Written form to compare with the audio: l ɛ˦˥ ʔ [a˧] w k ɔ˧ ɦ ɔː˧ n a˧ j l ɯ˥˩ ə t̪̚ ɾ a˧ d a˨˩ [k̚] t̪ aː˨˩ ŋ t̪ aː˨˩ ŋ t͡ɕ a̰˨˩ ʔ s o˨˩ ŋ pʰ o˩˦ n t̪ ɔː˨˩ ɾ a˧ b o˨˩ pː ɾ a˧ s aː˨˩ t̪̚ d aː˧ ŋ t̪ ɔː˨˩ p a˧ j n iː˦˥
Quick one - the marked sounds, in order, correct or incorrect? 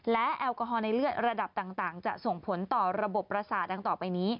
incorrect, incorrect

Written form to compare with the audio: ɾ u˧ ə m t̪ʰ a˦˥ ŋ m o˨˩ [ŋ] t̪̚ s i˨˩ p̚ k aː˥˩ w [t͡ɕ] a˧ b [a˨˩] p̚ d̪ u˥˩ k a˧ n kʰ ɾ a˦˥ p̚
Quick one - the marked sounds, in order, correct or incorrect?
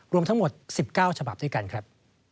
incorrect, incorrect, correct

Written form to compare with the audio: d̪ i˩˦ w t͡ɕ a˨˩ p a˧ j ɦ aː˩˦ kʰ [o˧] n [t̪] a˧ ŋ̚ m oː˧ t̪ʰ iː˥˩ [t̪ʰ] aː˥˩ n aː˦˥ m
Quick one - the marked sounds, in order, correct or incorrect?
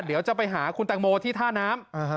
incorrect, correct, correct

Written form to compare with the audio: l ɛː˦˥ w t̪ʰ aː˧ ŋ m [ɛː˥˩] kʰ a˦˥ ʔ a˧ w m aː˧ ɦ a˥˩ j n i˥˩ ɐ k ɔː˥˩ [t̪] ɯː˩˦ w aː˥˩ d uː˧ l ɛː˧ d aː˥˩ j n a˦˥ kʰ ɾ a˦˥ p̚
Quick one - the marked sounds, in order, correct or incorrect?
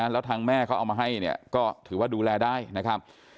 correct, incorrect

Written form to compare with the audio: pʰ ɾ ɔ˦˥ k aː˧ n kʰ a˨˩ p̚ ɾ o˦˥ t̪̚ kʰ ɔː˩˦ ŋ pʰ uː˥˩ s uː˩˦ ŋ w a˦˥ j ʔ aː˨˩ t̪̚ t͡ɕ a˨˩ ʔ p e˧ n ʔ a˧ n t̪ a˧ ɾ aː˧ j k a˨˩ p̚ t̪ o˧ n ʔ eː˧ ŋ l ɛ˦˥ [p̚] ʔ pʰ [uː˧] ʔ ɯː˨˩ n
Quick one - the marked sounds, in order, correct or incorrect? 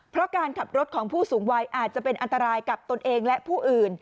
incorrect, incorrect

